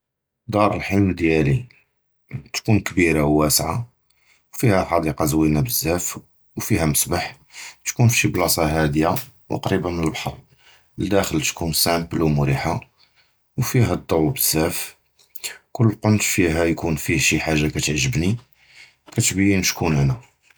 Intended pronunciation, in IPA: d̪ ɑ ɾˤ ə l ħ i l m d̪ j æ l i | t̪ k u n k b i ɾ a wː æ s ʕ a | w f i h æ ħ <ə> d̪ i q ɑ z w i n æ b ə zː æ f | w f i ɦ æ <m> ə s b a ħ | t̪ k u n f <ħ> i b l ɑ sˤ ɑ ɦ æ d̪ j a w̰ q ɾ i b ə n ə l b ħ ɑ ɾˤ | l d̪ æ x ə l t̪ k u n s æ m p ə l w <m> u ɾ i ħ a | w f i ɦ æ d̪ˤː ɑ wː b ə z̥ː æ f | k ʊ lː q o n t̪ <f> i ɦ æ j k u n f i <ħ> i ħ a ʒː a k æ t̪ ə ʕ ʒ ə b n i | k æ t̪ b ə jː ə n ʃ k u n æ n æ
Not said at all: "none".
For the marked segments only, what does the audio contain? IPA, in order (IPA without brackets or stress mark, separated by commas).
ɑ, m, ʃ, m, f, ʃ